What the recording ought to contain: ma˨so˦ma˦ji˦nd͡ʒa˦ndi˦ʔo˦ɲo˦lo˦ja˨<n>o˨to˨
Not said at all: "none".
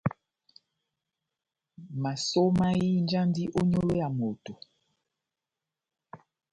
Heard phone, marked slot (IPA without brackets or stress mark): m